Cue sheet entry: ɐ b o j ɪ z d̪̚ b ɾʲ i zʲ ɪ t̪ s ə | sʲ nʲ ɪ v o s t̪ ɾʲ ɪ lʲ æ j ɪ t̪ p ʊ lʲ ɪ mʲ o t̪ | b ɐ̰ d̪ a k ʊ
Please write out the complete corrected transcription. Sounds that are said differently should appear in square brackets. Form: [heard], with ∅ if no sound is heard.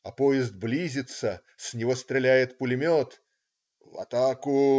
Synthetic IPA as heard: ɐ [p] o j ɪ z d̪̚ b [lʲ] i zʲ ɪ t̪ s ə | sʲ nʲ ɪ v o s t̪ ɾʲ ɪ lʲ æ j ɪ t̪ p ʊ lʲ ɪ mʲ o t̪ | [v] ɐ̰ [t̪] a k ʊ